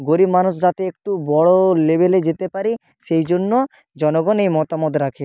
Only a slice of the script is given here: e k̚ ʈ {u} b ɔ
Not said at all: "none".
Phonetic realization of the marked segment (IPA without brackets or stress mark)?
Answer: u